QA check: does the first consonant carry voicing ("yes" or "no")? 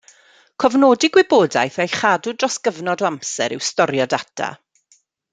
no